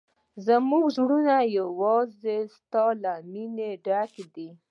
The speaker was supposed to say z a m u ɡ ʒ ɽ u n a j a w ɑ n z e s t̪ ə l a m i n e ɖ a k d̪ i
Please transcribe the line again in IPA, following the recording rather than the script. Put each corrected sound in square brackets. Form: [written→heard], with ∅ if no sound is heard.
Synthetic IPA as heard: z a m u ɡ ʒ ɽ u n a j a w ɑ [n→∅] z e s t̪ [ə→ɑ] l a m i n e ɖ a k d̪ i